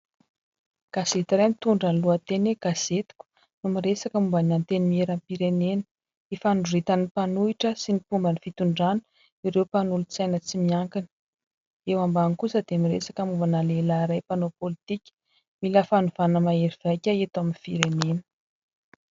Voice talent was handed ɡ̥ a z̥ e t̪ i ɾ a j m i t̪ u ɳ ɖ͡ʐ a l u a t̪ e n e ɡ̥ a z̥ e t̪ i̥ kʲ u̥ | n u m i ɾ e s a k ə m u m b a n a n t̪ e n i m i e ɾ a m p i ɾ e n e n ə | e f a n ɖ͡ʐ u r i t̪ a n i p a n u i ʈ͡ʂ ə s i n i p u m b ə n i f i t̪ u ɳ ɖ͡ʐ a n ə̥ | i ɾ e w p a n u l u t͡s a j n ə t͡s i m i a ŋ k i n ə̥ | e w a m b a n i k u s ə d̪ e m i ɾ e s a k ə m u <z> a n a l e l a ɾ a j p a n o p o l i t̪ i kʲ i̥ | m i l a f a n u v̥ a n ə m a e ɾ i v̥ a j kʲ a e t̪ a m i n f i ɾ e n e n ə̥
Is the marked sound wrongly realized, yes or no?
yes